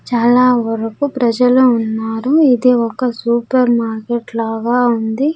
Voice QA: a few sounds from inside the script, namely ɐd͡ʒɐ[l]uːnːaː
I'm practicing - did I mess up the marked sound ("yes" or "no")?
no